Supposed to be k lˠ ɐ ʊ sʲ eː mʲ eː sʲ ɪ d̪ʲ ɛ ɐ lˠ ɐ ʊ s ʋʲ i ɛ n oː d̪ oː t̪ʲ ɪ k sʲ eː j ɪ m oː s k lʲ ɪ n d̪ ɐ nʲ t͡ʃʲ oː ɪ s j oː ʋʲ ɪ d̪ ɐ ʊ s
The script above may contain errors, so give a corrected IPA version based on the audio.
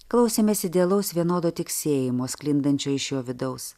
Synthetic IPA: k lˠ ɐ ʊ sʲ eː mʲ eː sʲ ɪ d̪ʲ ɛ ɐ lˠ ɐ ʊ s ʋʲ i ɛ n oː d̪ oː t̪ʲ ɪ k sʲ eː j ɪ m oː s k lʲ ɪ n d̪ ɐ nʲ t͡ʃʲ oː ɪ ʃ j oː ʋʲ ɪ d̪ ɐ ʊ s

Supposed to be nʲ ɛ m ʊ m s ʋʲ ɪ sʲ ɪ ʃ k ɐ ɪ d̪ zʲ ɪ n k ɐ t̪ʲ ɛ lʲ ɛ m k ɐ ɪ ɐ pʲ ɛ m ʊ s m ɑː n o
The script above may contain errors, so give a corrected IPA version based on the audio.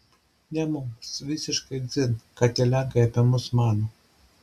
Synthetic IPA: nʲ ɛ m ʊ m s ʋʲ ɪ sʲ ɪ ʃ k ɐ ɪ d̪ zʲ ɪ n k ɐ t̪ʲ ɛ lʲ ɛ ŋ k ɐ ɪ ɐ pʲ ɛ m ʊ s m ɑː n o

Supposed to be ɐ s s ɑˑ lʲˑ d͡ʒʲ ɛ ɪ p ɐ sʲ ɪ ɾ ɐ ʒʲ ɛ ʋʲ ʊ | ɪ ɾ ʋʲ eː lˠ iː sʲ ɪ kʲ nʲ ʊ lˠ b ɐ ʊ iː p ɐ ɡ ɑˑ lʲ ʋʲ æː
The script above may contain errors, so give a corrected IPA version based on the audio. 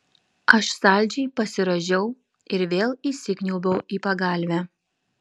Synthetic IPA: ɐ ʃ s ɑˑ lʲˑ d͡ʒʲ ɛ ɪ p ɐ sʲ ɪ ɾ ɐ ʒʲ ɛ ʊ | ɪ ɾ ʋʲ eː lˠ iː sʲ ɪ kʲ nʲ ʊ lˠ b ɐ ʊ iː p ɐ ɡ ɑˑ lʲ ʋʲ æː

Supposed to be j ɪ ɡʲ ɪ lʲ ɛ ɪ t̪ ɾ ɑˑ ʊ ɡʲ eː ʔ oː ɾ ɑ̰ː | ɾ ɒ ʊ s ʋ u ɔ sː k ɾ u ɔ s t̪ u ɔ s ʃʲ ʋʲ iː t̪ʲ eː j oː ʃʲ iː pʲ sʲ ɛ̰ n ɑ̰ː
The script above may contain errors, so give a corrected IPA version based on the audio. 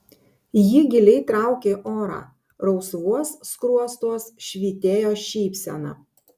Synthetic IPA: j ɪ ɡʲ ɪ lʲ ɛ ɪ t̪ ɾ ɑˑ ʊ kʲ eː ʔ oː ɾ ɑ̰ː | ɾ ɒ ʊ s ʋ u ɔ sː k ɾ u ɔ s t̪ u ɔ s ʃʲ ʋʲ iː t̪ʲ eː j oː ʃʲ iː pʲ sʲ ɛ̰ n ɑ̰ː

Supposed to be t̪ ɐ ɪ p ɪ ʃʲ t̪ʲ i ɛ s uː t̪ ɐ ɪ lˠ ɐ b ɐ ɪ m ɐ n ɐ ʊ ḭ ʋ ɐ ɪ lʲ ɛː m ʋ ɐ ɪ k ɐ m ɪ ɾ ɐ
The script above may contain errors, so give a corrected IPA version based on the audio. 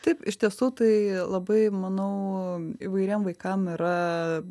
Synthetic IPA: t̪ ɐ ɪ p ɪ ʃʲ t̪ʲ i ɛ s uː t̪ ɐ ɪ lˠ ɐ b ɐ ɪ m ɐ n ɐ ʊ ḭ ʋ ɐ ɪ ɾʲ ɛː m ʋ ɐ ɪ k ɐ m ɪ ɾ ɐ

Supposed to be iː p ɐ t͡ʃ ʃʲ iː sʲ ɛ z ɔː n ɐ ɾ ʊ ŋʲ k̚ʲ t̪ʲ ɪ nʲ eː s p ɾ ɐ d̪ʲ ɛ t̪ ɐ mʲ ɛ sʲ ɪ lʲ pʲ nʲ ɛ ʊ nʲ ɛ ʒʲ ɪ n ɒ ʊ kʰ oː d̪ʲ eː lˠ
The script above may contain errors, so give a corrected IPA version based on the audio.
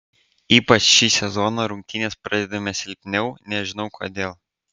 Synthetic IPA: iː p ɐ t͡ʃ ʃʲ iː sʲ ɛ z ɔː n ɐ ɾ ʊ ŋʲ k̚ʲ t̪ʲ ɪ nʲ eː s p ɾ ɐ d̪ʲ ɛ d̪ ɐ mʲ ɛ sʲ ɪ lʲ pʲ nʲ ɛ ʊ nʲ ɛ ʒʲ ɪ n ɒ ʊ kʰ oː d̪ʲ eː lˠ

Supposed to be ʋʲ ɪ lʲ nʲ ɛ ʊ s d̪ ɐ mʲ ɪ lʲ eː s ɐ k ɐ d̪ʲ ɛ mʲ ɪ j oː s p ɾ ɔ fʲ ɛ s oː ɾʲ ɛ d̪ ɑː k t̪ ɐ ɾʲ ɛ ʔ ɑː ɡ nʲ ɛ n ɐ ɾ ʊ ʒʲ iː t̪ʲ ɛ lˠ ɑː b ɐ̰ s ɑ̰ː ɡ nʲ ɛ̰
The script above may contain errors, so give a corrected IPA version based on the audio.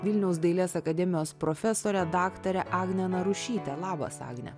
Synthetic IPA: ʋʲ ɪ lʲ nʲ ɛ ʊ s d̪ ɐ ɪ lʲ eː s ɐ k ɐ d̪ʲ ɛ mʲ ɪ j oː s p ɾ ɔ fʲ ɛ s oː ɾʲ ɛ d̪ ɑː k t̪ ɐ ɾʲ ɛ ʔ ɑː ɡ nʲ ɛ n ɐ ɾ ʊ ʃʲ iː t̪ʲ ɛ lˠ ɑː b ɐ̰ s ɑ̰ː ɡ nʲ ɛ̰

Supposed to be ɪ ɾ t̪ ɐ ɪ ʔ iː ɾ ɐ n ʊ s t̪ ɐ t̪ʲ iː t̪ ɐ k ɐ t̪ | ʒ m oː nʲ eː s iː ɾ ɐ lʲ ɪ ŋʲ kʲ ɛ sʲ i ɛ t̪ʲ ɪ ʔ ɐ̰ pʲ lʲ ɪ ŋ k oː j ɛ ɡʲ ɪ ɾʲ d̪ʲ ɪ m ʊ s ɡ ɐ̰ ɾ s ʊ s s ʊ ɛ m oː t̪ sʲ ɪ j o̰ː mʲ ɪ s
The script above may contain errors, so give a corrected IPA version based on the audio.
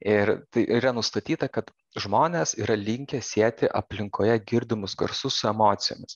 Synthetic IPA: ɪ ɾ t̪ ɐ ɪ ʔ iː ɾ ɐ n ʊ s t̪ ɐ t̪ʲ iː t̪ ɐ k ɐ t̪ | ʒ m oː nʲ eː s iː ɾ ɐ lʲ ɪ ŋʲ kʲ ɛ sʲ i ɛ t̪ʲ ɪ ʔ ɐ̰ pʲ lʲ ɪ ŋ k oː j ɛ ɡʲ ɪ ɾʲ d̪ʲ ɪ m ʊ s ɡ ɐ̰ ɾ s ʊ s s ʊ ɛ m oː t̪ sʲ ɪ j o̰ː mʲ ɪ s

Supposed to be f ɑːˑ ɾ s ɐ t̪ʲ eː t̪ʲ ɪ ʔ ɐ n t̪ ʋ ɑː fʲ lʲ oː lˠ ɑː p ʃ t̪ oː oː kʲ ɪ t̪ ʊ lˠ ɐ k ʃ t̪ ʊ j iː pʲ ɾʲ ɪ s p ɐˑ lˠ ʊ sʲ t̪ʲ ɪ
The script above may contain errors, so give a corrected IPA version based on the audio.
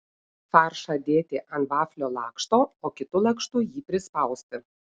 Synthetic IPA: f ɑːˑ ɾ ʃ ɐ d̪ʲ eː t̪ʲ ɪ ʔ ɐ n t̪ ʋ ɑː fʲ lʲ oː lˠ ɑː k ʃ t̪ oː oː kʲ ɪ t̪ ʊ lˠ ɐ k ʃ t̪ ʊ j iː pʲ ɾʲ ɪ s p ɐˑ ʊ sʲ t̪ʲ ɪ

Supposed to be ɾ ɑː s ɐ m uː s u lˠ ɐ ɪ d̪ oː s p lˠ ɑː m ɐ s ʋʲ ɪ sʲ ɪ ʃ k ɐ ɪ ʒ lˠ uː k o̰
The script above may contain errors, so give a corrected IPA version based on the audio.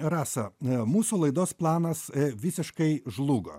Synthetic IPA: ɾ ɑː s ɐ m uː s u lˠ ɐ ɪ d̪ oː s p lˠ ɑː n ɐ s ʋʲ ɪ sʲ ɪ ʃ k ɐ ɪ ʒ lˠ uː ɡ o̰

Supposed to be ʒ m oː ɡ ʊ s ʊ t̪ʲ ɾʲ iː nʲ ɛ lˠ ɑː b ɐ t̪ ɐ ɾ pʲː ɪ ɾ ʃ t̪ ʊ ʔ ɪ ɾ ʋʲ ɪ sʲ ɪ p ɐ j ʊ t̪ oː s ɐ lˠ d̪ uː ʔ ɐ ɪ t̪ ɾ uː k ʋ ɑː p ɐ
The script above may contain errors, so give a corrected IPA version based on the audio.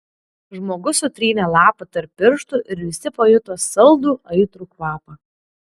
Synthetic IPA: ʒ m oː ɡ ʊ s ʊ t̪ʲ ɾʲ iː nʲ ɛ lˠ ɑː p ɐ t̪ ɐ ɾ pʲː ɪ ɾ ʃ t̪ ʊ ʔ ɪ ɾ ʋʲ ɪ sʲ ɪ p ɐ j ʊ t̪ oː s ɐ lˠ d̪ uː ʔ ɐ ɪ t̪ ɾ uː k ʋ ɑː p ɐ

